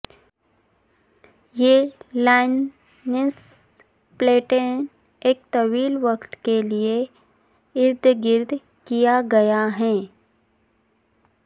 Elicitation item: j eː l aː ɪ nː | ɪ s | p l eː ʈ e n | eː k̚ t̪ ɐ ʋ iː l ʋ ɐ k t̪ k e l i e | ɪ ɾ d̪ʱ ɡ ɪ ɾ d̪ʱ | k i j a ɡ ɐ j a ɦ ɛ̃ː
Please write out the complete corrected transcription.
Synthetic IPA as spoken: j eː l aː ɪ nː | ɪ s | p l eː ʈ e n | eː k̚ t̪ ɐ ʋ iː l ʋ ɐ k t̪ k e l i e | ɪ ɾ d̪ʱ ɡ ɪ ɾ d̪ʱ | k i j a ɡ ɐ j a ɦ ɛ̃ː